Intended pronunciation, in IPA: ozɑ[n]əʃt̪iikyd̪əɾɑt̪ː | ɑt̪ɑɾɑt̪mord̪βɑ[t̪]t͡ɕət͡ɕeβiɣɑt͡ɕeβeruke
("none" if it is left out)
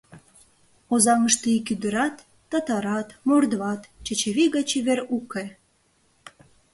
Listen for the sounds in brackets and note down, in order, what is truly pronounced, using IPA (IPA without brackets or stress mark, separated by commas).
ŋ, t̪